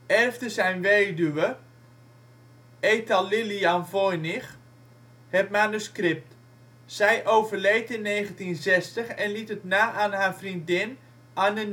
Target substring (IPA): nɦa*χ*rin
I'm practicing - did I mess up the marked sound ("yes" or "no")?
yes